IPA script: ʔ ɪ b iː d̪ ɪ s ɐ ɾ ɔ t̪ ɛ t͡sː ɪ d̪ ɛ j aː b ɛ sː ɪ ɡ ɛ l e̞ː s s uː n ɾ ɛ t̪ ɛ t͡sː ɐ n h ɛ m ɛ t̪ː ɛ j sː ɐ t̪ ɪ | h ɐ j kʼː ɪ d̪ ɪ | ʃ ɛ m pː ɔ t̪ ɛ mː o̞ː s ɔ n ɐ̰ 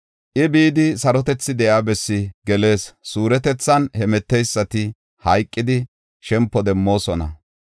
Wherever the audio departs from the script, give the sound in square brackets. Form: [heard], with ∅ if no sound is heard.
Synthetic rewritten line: ʔ ɪ b iː d̪ ɪ s ɐ ɾ ɔ t̪ ɛ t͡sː ɪ d̪ ɛ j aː b ɛ sː ɪ ɡ ɛ l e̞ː s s uː [∅] ɾ ɛ t̪ ɛ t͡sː ɐ n h ɛ m ɛ t̪ː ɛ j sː ɐ t̪ ɪ | h ɐ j kʼː ɪ d̪ ɪ | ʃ ɛ m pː ɔ [d̪] ɛ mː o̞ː s ɔ n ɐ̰